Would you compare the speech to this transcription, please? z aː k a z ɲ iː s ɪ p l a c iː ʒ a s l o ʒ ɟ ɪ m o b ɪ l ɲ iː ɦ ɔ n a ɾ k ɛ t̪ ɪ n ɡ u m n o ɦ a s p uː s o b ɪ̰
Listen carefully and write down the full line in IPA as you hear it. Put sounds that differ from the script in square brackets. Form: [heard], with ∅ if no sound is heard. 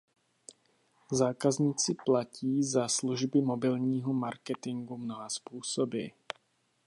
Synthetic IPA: z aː k a z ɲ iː [t͡s] ɪ p l a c iː [z] a s l [u] ʒ [b] ɪ m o b ɪ l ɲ iː ɦ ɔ [m] a ɾ k ɛ t̪ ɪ [ŋ] ɡ u m n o ɦ a s p uː s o b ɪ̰